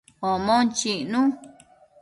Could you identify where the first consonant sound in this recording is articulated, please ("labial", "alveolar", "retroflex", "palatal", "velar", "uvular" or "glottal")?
labial